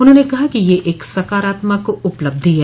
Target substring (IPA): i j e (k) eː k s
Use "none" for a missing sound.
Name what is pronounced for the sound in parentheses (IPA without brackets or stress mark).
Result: ʔ